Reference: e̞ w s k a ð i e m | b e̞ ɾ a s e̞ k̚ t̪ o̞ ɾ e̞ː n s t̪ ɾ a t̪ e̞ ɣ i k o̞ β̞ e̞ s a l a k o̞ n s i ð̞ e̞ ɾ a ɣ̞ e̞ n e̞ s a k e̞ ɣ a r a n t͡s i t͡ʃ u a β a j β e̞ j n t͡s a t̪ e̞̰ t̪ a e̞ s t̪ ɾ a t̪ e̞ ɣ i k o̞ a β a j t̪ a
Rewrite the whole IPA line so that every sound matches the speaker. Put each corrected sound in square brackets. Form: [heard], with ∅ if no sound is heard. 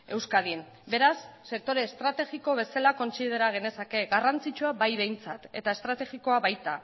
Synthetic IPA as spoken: e̞ w s k a ð i e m | b e̞ ɾ a [sː] e̞ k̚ t̪ o̞ ɾ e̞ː [∅] s t̪ ɾ a t̪ e̞ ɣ i k o̞ β̞ e̞ s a l a k o̞ n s i ð̞ e̞ ɾ a ɣ̞ e̞ n e̞ s a k e̞ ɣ a r a n t͡s i t͡ʃ u a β a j β e̞ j n t͡s a t̪ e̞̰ t̪ a e̞ s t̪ ɾ a t̪ e̞ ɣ i k o̞ a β a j t̪ a